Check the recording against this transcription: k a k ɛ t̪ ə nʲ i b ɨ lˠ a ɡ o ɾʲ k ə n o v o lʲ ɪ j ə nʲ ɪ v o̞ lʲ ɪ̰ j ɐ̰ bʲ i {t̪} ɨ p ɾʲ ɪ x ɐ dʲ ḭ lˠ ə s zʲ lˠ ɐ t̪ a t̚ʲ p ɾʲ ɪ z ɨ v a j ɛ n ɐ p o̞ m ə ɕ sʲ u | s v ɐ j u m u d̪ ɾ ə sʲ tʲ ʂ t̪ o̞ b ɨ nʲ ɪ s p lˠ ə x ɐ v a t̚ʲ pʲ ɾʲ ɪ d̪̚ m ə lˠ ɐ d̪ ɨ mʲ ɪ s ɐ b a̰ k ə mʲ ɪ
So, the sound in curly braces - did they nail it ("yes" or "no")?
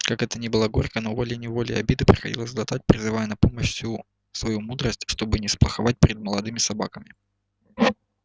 no